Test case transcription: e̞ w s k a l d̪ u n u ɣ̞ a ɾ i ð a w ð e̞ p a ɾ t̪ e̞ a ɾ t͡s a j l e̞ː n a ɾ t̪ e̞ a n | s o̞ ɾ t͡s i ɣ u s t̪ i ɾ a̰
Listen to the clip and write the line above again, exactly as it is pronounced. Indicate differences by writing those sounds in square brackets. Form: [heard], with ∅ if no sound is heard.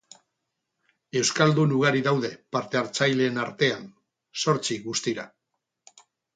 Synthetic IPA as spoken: e̞ w s k a l d̪ u n u ɣ̞ a ɾ i ð a w ð e̞ p a ɾ t̪ e̞ a ɾ t͡s a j l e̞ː n a ɾ t̪ e̞ a n | s o̞ ɾ t͡s i ɣ u s t̪ i ɾ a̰